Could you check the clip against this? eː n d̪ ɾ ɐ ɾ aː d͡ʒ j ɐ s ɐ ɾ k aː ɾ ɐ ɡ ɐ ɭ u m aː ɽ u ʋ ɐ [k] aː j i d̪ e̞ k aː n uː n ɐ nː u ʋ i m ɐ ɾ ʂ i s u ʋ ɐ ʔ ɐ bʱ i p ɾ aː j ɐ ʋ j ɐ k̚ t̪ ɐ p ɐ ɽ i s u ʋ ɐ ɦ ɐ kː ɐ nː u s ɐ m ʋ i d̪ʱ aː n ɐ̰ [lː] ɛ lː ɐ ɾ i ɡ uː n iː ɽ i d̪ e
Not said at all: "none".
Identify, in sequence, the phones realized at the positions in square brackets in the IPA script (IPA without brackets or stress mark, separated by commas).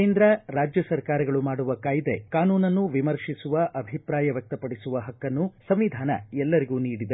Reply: k, none